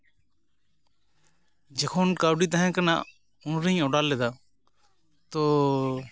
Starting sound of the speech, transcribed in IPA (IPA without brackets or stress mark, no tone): d͡ʒ